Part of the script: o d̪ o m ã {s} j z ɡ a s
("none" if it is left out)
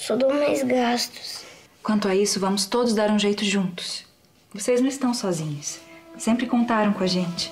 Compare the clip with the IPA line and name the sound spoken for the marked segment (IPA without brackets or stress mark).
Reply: none